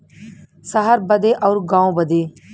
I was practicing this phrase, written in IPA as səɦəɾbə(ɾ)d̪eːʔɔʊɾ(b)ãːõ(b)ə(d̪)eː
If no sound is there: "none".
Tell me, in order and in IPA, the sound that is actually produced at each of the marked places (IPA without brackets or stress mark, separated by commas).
none, ɡ, b, d̪